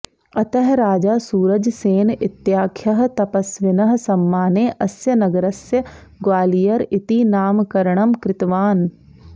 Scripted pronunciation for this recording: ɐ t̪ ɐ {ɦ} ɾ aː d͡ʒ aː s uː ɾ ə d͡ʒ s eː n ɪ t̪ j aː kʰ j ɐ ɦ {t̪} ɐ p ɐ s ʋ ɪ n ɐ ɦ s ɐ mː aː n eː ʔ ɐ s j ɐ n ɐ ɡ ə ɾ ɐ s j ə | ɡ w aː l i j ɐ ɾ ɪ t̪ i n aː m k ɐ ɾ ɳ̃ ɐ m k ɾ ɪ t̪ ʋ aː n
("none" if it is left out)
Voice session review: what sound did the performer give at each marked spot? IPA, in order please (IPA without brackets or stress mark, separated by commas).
ɦ, t̪